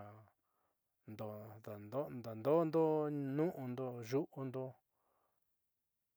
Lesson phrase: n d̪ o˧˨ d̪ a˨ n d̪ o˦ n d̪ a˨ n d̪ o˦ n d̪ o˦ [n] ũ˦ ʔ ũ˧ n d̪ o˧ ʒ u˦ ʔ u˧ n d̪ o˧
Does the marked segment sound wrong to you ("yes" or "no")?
no